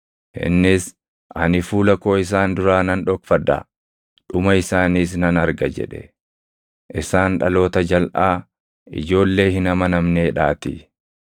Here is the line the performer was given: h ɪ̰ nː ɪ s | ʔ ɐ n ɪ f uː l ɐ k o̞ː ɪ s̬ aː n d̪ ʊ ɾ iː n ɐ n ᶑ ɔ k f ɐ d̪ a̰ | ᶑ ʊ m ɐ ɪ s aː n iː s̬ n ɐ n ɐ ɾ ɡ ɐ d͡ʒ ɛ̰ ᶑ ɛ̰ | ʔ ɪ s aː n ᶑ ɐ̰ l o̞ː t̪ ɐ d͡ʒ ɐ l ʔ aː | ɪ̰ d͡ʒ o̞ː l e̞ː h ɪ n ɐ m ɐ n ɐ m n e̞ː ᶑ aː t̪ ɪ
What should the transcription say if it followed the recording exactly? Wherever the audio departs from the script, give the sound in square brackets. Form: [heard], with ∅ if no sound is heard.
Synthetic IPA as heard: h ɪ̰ nː ɪ s | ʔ ɐ n ɪ f uː l ɐ k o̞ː ɪ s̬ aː n d̪ ʊ ɾ [aː] n ɐ n ᶑ ɔ k f ɐ d̪ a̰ | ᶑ ʊ m ɐ ɪ s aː n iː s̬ n ɐ n ɐ ɾ ɡ ɐ d͡ʒ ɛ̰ ᶑ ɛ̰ | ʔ ɪ s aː n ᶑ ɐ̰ l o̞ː t̪ ɐ d͡ʒ ɐ l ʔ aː | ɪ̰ d͡ʒ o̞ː [lː] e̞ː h ɪ n ɐ m ɐ n ɐ m n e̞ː ᶑ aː t̪ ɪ